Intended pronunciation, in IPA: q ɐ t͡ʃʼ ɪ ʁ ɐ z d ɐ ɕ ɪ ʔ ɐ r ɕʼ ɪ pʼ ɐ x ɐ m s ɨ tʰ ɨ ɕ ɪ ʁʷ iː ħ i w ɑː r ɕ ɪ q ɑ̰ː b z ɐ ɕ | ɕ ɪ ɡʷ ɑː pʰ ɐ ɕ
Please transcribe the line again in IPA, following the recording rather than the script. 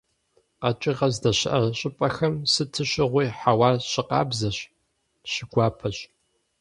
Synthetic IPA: q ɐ t͡ʃʼ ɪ ʁ ɐ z d ɐ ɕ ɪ ʔ ɐ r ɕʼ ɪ pʼ ɐ x ɐ m s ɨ tʰ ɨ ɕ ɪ ʁʷ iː ħ a w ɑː r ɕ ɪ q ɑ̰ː b z ɐ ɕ | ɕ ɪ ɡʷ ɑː pʰ ɐ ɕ